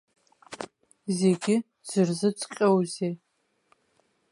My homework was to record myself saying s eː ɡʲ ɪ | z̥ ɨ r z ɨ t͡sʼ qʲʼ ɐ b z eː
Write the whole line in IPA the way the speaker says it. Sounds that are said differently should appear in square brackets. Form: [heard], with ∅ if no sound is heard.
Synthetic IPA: [z] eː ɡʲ ɪ | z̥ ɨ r z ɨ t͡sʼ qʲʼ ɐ [w] z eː